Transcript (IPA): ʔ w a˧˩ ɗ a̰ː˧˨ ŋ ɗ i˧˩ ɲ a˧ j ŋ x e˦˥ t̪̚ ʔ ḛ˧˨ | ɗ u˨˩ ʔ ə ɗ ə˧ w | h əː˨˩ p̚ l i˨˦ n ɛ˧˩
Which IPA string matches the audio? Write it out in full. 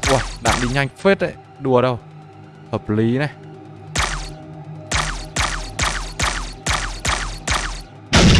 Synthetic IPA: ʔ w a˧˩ ɗ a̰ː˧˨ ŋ ɗ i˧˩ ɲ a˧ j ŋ f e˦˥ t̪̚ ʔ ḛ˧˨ | ɗ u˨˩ ə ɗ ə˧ w | h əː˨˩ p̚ l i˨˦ n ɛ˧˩

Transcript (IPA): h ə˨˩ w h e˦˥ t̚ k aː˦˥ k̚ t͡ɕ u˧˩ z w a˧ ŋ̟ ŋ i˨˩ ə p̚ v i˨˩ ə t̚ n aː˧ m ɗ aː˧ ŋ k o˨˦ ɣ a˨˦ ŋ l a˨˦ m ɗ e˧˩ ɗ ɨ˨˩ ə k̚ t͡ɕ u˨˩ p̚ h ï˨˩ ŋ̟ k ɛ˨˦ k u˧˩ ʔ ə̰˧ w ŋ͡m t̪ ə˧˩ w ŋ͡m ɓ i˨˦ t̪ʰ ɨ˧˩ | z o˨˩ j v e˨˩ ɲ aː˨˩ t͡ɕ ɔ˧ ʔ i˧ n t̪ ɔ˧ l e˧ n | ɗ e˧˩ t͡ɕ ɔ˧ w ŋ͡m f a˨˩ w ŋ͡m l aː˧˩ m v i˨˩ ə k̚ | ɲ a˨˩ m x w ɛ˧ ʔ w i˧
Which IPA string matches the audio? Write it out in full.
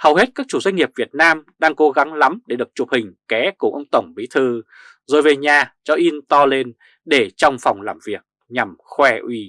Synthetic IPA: h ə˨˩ w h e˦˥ t̚ k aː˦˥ k̚ t͡ɕ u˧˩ z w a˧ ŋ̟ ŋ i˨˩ ə p̚ v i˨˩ ə t̚ n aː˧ m ɗ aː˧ ŋ k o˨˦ ɣ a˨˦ ŋ l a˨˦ m ɗ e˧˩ ɗ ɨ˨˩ ə k̚ t͡ɕ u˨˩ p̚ h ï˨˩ ŋ̟ k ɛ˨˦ k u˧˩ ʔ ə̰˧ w ŋ͡m t̪ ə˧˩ w ŋ͡m ɓ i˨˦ t̪ʰ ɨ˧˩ | z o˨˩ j v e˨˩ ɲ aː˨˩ t͡ɕ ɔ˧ ʔ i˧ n t̪ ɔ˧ l e˧ n | ɗ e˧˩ t͡ɕ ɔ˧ w ŋ͡m f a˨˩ w ŋ͡m l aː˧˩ m v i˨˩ ə k̚ | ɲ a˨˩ m x w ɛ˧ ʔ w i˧

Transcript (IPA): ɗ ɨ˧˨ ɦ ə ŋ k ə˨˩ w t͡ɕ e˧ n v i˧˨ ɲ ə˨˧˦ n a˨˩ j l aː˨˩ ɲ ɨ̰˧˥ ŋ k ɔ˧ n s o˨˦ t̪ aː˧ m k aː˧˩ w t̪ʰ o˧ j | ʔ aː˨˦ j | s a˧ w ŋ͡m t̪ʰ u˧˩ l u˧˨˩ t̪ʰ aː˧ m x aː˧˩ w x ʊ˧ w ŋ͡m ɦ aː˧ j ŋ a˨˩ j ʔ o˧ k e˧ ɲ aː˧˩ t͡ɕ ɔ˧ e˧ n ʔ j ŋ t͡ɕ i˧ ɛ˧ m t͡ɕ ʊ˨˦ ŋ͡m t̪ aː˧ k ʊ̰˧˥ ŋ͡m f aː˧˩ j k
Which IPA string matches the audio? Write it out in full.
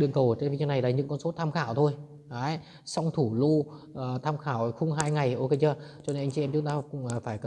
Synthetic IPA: ɗ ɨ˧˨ ə ŋ k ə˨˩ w t͡ɕ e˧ n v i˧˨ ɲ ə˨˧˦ n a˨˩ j l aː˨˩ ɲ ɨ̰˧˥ ŋ k ɔ˧ n s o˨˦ t̪ʰ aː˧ m x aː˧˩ w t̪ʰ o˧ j | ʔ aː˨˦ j | s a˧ w ŋ͡m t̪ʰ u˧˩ l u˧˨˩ t̪ʰ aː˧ m x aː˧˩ w x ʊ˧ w ŋ͡m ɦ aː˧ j ŋ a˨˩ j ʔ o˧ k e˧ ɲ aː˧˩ t͡ɕ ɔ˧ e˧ n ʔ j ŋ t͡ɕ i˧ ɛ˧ m t͡ɕ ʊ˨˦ ŋ͡m t̪ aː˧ k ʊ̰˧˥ ŋ͡m f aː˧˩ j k

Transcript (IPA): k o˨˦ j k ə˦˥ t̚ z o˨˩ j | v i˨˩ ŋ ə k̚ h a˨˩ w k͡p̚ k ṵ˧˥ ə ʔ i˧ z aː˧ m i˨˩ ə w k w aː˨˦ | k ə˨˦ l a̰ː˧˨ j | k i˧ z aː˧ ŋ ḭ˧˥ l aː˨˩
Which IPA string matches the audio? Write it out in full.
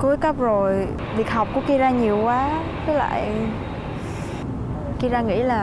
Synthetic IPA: k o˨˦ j k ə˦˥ p̚ z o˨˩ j | v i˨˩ ə k̚ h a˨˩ w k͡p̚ k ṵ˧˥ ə k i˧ z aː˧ ɲ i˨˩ ə w k w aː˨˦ | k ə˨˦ l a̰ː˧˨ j | k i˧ z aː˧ ŋ ḭ˧˥ l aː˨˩

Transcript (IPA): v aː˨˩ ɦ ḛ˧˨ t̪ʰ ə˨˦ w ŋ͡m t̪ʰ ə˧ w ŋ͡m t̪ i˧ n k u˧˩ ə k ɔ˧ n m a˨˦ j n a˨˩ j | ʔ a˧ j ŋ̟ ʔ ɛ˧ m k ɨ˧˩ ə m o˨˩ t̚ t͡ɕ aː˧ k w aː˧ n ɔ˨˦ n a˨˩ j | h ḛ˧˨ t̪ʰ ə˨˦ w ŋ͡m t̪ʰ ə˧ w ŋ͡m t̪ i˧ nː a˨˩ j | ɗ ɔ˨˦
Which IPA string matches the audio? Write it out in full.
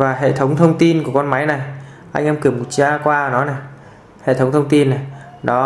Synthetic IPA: v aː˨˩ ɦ ḛ˧˨ t̪ʰ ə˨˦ w ŋ͡m t̪ʰ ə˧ w ŋ͡m t̪ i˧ n k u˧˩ ə k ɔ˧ n m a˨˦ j n a˨˩ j | ʔ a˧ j ŋ̟ ʔ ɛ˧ m k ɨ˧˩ ə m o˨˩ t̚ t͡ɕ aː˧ k w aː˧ n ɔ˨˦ n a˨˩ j | h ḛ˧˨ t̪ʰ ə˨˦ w ŋ͡m t̪ʰ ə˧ w ŋ͡m t̪ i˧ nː a˨˩ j | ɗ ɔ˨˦

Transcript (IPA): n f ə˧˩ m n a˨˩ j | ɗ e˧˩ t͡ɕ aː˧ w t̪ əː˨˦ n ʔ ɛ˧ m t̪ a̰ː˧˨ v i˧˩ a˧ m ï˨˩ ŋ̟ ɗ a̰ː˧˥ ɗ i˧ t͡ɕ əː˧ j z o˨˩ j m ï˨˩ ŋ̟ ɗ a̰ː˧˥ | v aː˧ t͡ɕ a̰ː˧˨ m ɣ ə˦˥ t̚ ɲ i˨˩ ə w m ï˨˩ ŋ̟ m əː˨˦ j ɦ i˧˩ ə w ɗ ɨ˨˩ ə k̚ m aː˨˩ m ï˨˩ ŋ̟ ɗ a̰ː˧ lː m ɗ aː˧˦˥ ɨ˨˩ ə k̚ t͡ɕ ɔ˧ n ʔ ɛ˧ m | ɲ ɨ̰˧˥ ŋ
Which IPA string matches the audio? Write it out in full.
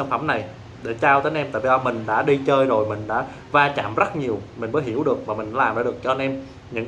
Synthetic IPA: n f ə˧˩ m n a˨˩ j | ɗ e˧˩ t͡ɕ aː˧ w t̪ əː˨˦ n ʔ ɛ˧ m t̪ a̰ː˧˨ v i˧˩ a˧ m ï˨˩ ŋ̟ ɗ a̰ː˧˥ ɗ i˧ t͡ɕ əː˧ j z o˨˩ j m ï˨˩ ŋ̟ ɗ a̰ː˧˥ | v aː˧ t͡ɕ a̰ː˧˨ m z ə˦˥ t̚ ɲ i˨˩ ə w m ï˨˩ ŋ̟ m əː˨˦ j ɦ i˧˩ ə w ɗ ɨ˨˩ ə k̚ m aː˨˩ m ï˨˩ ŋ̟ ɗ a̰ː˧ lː m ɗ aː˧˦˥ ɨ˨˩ ə k̚ t͡ɕ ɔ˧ n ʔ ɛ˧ m | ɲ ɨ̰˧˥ ŋ

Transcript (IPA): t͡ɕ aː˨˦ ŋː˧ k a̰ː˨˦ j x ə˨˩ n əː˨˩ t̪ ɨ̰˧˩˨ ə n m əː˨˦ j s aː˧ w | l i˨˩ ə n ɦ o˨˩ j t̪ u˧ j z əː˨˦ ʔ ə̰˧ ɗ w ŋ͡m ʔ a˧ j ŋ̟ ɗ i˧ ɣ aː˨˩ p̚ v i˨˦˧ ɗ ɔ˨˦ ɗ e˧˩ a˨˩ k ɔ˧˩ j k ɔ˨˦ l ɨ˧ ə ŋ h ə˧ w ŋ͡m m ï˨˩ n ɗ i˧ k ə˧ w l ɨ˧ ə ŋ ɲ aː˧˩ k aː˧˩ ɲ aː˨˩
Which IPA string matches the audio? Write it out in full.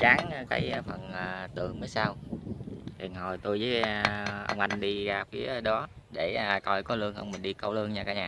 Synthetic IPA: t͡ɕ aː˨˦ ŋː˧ k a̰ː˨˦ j f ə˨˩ n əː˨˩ t̪ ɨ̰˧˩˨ ə ŋ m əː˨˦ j s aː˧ w | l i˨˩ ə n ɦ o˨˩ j t̪ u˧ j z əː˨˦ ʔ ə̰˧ w ŋ͡m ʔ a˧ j ŋ̟ ɗ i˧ ɣ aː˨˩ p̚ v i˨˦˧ ɗ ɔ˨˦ ɗ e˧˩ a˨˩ k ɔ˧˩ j k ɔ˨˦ l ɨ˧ ə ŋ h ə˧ w ŋ͡m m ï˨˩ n ɗ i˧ k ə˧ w l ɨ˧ ə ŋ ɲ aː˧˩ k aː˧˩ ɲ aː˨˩

